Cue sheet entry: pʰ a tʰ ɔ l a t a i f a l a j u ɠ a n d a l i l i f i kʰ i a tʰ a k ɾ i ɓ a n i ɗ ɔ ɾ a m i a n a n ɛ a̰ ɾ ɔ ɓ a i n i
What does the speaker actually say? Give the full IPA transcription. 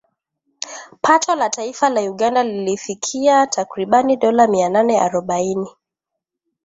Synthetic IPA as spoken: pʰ a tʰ ɔ l a t a i f a l a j u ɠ a n d a l i l i f i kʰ i a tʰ a k ɾ i ɓ a n i ɗ ɔ l a m i a n a n ɛ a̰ ɾ ɔ ɓ a i n i